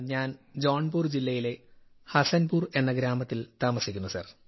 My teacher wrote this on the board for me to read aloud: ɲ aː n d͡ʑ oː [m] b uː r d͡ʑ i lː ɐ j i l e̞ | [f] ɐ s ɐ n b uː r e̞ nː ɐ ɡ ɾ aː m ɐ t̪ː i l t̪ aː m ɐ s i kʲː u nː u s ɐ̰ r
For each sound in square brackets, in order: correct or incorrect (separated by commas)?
incorrect, incorrect